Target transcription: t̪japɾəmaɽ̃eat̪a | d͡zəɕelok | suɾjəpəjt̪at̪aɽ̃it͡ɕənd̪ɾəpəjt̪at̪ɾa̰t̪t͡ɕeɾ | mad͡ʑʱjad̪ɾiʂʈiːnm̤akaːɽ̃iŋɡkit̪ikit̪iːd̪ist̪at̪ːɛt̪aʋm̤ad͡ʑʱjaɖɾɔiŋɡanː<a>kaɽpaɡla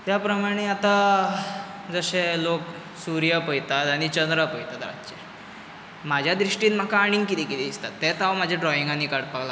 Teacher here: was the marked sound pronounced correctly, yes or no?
no